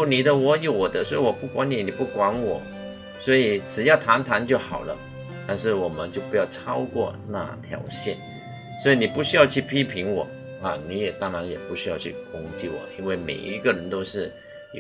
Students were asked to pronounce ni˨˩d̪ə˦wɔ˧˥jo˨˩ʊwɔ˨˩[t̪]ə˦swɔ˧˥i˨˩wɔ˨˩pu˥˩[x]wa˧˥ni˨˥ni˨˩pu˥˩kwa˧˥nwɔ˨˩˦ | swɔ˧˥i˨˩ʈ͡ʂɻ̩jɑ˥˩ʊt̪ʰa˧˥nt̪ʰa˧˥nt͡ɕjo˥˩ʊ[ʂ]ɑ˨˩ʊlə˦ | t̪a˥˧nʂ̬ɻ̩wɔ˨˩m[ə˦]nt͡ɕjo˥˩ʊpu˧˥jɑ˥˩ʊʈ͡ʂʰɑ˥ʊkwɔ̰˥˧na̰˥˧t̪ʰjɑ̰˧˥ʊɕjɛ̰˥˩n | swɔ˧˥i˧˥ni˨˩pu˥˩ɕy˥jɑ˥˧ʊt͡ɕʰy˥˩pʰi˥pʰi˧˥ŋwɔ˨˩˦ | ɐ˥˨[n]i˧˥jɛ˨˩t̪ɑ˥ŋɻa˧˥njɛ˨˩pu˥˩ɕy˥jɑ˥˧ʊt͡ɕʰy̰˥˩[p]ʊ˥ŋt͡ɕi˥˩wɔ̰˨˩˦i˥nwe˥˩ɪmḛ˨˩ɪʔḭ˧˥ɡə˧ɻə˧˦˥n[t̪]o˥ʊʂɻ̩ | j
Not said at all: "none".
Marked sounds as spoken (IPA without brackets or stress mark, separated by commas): d̪, k, x, ə˦, n, k, t̪